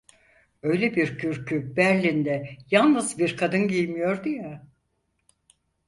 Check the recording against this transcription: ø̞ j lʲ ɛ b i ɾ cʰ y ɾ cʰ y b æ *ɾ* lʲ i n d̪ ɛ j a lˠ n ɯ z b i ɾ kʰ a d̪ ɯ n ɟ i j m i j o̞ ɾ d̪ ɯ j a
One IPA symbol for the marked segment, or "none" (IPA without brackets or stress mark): ɾ